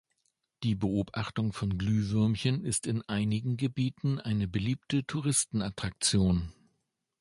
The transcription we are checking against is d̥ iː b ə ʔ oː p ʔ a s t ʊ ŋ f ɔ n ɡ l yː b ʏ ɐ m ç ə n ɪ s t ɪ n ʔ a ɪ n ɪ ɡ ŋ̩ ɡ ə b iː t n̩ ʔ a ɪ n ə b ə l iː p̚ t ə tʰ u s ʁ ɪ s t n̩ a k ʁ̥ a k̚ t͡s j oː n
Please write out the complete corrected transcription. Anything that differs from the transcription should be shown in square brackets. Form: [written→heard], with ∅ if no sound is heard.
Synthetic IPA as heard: d̥ iː b ə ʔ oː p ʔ a [s→χ] t ʊ ŋ f ɔ n ɡ l yː [b→v] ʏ ɐ m ç ə n ɪ s t ɪ n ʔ a ɪ n ɪ ɡ ŋ̩ ɡ ə b iː t n̩ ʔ a ɪ n ə b ə l iː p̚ t ə tʰ u [s→∅] ʁ ɪ s t n̩ a [k→t] ʁ̥ a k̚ t͡s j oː n